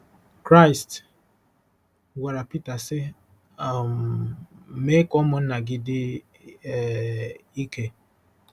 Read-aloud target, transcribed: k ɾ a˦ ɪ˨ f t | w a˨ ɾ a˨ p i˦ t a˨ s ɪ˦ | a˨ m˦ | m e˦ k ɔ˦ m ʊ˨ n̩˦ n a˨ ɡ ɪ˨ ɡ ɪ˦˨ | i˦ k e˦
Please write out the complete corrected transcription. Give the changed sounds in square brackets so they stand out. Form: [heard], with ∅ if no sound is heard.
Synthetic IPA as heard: k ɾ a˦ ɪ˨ [s] t | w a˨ ɾ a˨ p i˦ t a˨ s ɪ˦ | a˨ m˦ | m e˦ k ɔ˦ m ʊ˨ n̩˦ n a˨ ɡ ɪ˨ [d] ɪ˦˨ | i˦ k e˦